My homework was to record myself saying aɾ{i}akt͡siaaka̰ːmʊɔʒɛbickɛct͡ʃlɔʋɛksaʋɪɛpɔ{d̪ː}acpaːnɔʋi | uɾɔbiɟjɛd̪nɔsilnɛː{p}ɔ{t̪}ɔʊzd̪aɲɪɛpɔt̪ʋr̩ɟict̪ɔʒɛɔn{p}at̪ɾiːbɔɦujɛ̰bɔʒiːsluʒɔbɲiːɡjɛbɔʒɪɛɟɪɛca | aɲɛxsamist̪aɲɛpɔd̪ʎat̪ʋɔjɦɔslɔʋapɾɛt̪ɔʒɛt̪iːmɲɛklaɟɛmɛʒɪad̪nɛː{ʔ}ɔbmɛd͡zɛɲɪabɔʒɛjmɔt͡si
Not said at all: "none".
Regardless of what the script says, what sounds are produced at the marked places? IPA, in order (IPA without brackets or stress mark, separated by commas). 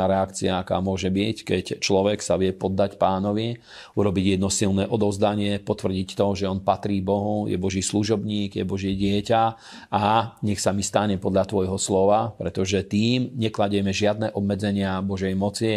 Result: ɛ, d̪ː, ʔ, d̪, p, ʔ